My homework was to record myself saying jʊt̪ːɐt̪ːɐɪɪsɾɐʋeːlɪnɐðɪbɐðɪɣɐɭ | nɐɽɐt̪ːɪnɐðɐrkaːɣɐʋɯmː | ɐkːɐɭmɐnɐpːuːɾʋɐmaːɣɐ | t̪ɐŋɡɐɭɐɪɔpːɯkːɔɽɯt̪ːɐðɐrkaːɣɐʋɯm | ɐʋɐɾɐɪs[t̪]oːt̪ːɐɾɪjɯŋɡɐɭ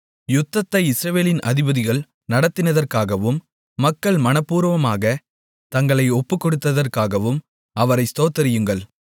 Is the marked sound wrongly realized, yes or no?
no